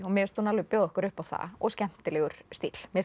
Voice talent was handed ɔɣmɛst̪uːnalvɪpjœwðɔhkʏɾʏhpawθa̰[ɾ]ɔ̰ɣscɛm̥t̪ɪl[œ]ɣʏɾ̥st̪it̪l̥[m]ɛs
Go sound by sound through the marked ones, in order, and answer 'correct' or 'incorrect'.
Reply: incorrect, incorrect, correct

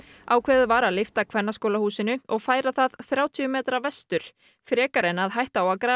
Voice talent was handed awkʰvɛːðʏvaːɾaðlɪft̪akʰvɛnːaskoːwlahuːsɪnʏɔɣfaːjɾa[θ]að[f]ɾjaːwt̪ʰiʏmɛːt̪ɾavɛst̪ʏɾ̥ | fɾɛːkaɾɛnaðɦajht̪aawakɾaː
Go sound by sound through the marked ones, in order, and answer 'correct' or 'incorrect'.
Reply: correct, incorrect

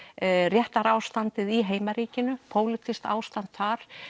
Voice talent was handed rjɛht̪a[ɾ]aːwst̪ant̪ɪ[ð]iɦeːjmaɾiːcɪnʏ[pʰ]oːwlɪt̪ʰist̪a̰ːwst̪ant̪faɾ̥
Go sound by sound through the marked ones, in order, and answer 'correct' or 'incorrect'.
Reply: correct, correct, correct

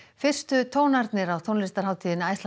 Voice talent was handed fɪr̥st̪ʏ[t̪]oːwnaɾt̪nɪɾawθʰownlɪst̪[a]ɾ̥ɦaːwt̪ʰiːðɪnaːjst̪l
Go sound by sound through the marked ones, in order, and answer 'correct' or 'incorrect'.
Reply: incorrect, correct

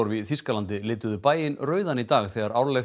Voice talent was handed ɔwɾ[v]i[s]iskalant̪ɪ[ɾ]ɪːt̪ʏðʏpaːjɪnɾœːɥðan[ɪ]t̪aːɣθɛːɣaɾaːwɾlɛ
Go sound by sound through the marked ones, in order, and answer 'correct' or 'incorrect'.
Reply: correct, incorrect, incorrect, incorrect

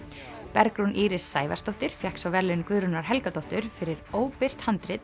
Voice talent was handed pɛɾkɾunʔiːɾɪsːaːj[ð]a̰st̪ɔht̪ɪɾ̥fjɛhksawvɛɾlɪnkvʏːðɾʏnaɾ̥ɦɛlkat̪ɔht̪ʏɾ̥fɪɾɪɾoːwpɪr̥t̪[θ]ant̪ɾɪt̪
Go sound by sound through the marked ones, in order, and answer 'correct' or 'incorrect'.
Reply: incorrect, incorrect

